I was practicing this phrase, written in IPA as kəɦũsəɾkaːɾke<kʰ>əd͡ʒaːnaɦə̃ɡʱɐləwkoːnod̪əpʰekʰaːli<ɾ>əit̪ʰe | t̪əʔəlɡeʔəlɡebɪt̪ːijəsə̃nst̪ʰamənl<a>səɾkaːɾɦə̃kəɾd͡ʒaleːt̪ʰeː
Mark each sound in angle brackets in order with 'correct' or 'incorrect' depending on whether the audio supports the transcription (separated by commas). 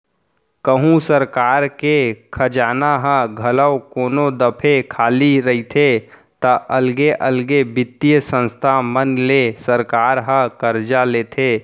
correct, correct, incorrect